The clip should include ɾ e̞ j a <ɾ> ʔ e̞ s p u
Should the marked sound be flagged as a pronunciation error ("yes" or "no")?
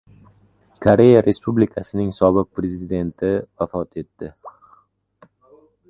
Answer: no